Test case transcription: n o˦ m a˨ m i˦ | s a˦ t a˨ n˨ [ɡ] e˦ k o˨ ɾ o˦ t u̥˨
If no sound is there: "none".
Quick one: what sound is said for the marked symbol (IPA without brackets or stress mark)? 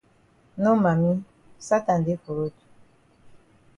d